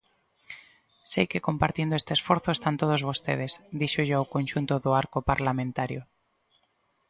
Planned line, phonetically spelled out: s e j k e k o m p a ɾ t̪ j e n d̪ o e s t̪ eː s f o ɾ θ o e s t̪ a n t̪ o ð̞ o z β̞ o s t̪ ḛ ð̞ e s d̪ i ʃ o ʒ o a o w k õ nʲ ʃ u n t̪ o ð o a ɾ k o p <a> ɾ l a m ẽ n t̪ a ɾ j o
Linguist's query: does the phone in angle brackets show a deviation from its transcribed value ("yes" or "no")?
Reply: no